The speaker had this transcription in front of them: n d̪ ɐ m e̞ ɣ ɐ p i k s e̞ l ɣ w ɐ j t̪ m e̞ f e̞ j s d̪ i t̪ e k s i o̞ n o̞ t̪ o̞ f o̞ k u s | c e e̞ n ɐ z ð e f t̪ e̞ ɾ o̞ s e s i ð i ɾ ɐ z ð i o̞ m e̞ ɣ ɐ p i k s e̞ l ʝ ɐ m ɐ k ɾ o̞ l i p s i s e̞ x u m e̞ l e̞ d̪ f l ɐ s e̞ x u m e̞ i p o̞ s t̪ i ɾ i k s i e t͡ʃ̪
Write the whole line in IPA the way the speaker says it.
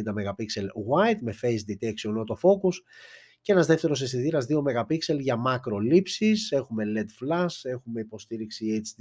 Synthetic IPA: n d̪ ɐ m e̞ ɣ ɐ p i k s e̞ l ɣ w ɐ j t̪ m e̞ f e̞ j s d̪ i t̪ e k s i o̞ n o̞ t̪ o̞ f o̞ k u s | c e e̞ n ɐ z ð e f t̪ e̞ ɾ o̞ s e s i ð i ɾ ɐ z ð i o̞ m e̞ ɣ ɐ p i k s e̞ l ʝ ɐ m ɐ k ɾ o̞ l i p s i s e̞ x u m e̞ l e̞ d̪ f l ɐ s e̞ x u m e̞ i p o̞ s t̪ i ɾ i k s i e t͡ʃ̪